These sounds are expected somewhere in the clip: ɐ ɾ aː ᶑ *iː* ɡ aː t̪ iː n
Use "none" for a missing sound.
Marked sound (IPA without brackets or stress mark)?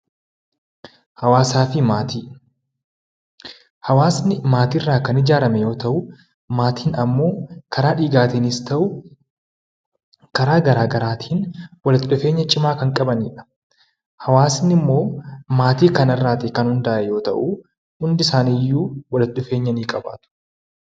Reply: iː